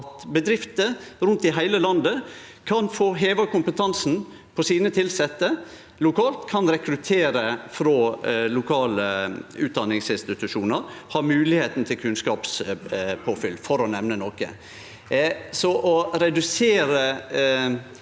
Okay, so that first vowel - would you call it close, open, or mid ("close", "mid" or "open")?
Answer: mid